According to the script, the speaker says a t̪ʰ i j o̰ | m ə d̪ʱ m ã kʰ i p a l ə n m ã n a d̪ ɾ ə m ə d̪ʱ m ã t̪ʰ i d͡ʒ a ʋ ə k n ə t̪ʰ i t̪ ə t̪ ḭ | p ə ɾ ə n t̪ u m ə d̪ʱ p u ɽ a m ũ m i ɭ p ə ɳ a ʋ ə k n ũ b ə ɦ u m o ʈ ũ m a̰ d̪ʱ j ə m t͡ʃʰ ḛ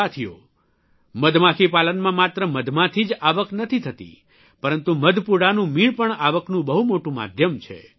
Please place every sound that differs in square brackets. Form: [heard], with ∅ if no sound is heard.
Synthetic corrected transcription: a t̪ʰ i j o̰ | m ə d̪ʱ m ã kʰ i p a l ə n m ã [m] a [t̪] ɾ ə m ə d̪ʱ m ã t̪ʰ i d͡ʒ a ʋ ə k n ə t̪ʰ i [t̪ʰ] ə t̪ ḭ | p ə ɾ ə n t̪ u m ə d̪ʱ p u ɽ a [n] ũ m i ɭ p ə ɳ a ʋ ə k n ũ b ə ɦ u m o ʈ ũ m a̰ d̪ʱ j ə m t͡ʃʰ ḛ